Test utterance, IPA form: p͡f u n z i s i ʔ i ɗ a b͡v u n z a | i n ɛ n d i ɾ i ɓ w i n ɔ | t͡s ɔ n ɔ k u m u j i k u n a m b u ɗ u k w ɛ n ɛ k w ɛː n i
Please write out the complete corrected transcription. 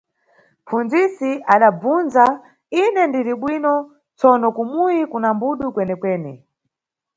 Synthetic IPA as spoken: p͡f u n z i s i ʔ a ɗ a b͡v u n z a | i n ɛ n d i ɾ i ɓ w i n ɔ | t͡s ɔ n ɔ k u m u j i k u n a m b u ɗ u k w ɛ n ɛ k w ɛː n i